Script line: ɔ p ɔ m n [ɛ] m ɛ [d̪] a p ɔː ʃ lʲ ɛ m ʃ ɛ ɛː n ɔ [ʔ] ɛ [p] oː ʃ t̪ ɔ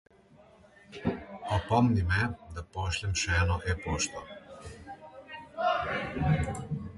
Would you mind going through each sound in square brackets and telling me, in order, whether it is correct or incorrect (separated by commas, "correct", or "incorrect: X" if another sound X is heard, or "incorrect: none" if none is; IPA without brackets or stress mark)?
incorrect: i, correct, correct, correct